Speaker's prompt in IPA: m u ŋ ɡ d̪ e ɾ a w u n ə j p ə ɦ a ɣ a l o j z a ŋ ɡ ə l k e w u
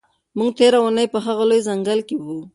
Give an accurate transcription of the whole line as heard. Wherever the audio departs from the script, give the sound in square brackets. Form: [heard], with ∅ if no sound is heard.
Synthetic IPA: m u ŋ ɡ [t̪] e ɾ a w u n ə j p ə ɦ a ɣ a l o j z a ŋ ɡ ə l k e w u

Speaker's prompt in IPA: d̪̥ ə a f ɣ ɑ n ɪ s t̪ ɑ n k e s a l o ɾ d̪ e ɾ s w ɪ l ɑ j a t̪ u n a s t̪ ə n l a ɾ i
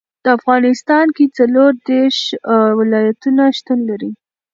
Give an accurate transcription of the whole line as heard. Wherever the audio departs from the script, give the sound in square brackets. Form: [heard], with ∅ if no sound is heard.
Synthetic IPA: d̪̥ ə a f ɣ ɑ n ɪ s t̪ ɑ n k e [t͡s] a l o ɾ d̪ e ɾ [ʃ] w ɪ l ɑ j a t̪ u n a [ʃ] t̪ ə n l a ɾ i

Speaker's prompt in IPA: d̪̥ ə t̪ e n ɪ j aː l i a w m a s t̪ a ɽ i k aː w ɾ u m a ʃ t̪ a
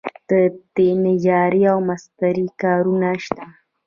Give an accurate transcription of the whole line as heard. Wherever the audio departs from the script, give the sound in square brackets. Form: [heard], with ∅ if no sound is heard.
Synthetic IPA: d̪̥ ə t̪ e n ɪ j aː [ɾ] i a w m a s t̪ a [ɾ] i k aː [∅] ɾ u [n] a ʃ t̪ a

